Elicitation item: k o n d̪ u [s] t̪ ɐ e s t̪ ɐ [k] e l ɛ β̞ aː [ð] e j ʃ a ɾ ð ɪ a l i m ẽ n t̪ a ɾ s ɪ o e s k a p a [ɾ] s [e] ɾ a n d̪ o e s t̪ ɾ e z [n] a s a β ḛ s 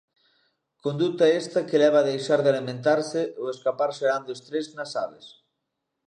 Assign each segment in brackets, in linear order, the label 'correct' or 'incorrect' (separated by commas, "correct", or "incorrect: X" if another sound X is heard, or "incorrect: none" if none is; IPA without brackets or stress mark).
incorrect: none, correct, correct, correct, correct, correct